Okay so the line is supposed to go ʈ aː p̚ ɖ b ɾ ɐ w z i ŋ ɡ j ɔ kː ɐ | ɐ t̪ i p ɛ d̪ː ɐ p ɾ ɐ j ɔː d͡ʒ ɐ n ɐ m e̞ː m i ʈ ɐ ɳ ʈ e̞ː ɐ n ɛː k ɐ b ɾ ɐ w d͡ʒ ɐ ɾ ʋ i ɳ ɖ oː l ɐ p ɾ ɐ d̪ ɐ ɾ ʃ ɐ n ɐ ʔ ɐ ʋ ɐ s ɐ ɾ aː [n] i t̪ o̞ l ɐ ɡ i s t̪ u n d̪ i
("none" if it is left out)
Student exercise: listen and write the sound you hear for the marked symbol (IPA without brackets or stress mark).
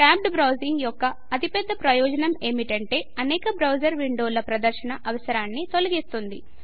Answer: nː